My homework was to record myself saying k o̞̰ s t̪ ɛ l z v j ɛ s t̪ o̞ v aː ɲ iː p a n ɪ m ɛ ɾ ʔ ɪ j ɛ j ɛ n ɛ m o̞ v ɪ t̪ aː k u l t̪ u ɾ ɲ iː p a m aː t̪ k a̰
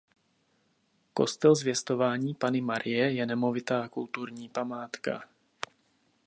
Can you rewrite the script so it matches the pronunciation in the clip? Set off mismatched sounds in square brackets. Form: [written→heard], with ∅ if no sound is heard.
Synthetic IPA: k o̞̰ s t̪ ɛ l z v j ɛ s t̪ o̞ v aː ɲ iː p a n ɪ m [ɛ→a] ɾ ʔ ɪ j ɛ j ɛ n ɛ m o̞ v ɪ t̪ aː k u l t̪ u ɾ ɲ iː p a m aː t̪ k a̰